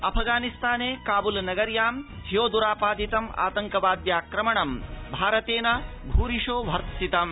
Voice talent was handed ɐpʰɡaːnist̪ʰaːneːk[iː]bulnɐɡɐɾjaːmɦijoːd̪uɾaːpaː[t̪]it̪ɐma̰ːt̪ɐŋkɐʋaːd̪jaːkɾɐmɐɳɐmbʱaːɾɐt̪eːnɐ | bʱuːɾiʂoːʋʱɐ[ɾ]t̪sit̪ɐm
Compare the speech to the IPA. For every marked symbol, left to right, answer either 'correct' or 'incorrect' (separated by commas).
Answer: incorrect, incorrect, correct